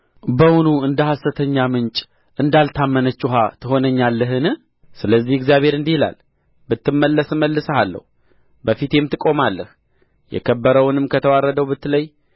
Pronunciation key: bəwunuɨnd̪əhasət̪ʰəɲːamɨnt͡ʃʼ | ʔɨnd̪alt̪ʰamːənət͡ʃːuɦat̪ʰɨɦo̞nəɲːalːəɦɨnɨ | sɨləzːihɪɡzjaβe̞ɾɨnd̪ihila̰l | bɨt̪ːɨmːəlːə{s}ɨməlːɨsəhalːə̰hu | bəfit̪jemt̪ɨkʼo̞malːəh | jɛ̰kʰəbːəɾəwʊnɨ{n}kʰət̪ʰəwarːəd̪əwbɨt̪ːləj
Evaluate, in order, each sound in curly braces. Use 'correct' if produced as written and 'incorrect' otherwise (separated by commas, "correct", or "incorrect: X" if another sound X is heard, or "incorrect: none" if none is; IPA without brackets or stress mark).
correct, incorrect: m